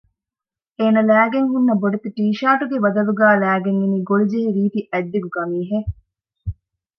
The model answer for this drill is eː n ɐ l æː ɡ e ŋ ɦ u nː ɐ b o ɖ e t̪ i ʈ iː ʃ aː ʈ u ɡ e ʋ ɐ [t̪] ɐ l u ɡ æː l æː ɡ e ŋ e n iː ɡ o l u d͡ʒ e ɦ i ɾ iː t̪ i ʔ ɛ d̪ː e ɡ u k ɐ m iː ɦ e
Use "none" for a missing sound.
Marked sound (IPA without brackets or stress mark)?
d̪